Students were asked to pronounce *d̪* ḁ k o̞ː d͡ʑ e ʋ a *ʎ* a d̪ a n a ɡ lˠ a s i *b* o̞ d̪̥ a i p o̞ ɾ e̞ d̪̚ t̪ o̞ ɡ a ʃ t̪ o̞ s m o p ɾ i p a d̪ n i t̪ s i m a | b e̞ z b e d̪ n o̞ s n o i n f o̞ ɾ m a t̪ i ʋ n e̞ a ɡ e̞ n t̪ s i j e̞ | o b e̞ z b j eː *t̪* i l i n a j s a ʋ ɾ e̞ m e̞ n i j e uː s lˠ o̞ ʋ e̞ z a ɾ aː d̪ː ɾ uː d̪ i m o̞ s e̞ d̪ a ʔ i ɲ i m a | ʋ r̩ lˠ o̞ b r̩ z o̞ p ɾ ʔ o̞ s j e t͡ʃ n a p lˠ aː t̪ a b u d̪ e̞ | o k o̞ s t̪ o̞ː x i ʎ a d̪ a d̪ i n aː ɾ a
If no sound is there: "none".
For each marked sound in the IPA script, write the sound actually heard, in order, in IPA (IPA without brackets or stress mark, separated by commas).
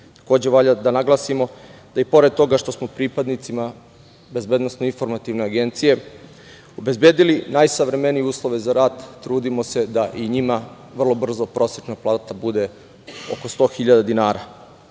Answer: t̪, ʎ, m, d̪